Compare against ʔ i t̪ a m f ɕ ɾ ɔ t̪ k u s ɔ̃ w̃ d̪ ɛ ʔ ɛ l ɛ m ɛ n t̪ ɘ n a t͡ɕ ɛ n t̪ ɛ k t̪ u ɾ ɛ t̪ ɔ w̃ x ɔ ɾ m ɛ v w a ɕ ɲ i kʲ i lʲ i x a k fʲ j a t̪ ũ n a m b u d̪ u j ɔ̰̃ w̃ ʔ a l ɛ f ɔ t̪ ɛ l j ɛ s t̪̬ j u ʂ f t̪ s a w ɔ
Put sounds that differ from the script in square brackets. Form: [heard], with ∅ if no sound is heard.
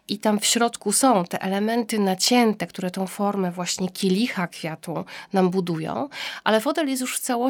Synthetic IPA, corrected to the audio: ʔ i t̪ a m f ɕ ɾ ɔ t̪ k u s ɔ̃ w̃ [t̪] ɛ ʔ ɛ l ɛ m ɛ n t̪ ɘ n a t͡ɕ ɛ n t̪ ɛ k t̪ u ɾ ɛ t̪ [ɔ̃] w̃ [f] ɔ ɾ m ɛ v w a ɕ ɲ [ɛ] kʲ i lʲ i x a k fʲ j a t̪ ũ n a m b u d̪ u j ɔ̰̃ w̃ ʔ a l ɛ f ɔ t̪ ɛ l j ɛ s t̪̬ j u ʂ f t̪ s a w ɔ